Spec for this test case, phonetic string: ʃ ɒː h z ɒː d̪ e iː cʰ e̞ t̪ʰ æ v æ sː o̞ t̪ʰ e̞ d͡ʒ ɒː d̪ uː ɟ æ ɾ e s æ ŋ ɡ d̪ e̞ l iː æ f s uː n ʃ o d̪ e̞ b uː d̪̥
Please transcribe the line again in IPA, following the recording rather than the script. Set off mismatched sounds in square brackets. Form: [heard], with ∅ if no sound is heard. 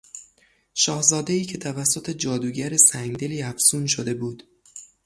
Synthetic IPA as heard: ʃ ɒː h z ɒː d̪ e iː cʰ e̞ t̪ʰ æ v æ sː o̞ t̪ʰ e̞ d͡ʒ ɒː d̪ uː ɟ æ ɾ e s æ ŋ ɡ d̪ e̞ l iː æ f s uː n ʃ o d̪ e̞ b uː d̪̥